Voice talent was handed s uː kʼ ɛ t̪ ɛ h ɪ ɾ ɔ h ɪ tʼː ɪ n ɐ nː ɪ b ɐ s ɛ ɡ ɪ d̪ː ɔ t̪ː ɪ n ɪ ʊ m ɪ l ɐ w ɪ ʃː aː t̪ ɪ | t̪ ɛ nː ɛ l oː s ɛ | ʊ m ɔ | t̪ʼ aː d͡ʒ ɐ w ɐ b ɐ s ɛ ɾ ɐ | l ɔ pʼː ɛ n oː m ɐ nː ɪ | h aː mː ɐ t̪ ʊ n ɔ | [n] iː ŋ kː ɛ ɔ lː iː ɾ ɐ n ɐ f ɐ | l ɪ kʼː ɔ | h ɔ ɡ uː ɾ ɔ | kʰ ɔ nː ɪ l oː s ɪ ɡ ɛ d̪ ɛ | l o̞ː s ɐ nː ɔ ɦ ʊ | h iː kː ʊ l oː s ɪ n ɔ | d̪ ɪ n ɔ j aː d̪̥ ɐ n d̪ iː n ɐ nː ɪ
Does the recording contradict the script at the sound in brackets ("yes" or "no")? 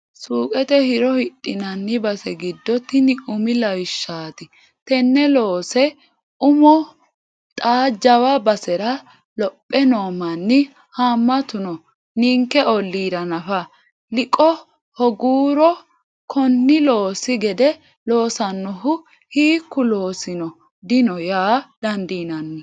no